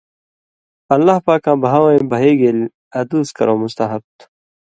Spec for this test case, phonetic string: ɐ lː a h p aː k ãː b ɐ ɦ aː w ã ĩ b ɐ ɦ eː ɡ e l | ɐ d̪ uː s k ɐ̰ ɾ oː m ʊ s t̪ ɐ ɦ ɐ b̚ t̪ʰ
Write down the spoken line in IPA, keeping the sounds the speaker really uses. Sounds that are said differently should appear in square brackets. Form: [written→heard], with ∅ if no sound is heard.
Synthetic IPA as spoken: ɐ lː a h p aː k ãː b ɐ ɦ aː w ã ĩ b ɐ ɦ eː ɡ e l | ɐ d̪ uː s k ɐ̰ ɾ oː m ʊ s t̪ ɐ ɦ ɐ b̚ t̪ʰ